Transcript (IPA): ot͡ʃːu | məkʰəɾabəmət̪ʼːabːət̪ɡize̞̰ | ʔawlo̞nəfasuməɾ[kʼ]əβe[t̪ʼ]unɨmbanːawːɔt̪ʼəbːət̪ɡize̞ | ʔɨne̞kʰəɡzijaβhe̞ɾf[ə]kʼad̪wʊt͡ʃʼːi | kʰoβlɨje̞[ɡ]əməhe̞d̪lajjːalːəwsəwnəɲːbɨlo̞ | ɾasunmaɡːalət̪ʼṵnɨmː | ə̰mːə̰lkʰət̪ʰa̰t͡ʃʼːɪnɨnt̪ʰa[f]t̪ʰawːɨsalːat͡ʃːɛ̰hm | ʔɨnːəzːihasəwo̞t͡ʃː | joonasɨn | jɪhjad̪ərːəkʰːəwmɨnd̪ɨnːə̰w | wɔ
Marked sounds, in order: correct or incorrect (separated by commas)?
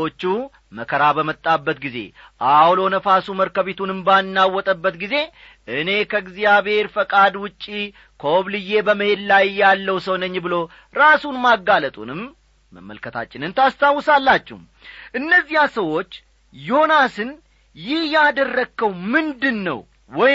incorrect, incorrect, correct, incorrect, incorrect